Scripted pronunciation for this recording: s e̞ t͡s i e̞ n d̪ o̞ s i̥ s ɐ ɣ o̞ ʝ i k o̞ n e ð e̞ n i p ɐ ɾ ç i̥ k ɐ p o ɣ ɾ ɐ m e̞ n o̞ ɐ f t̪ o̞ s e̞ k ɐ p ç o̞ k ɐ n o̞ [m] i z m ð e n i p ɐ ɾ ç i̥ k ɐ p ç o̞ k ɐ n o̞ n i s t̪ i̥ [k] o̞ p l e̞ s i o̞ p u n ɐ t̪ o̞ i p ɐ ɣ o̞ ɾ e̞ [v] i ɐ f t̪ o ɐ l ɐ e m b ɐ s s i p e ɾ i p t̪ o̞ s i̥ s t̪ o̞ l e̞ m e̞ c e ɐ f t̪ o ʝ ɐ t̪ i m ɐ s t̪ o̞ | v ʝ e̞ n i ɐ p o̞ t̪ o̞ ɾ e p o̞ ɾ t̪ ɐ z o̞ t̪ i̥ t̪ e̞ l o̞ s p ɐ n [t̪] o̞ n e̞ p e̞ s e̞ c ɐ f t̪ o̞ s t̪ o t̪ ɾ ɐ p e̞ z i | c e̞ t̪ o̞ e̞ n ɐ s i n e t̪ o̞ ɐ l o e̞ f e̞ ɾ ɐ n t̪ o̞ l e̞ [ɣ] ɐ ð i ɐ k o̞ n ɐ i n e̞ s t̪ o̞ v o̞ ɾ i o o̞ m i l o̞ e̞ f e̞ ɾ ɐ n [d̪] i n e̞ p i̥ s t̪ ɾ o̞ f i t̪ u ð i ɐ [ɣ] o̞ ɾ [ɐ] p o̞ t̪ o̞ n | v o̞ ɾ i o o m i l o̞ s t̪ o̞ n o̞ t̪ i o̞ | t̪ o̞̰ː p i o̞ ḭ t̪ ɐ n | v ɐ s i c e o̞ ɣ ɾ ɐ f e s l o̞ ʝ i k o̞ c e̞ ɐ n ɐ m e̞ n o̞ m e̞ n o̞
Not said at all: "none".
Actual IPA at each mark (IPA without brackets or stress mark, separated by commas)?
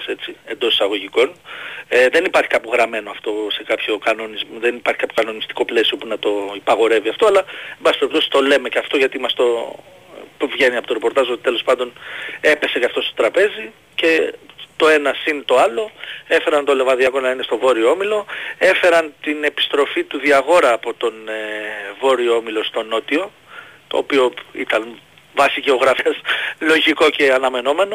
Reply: n, k, v, d̪, v, t̪, ɣ, ɐː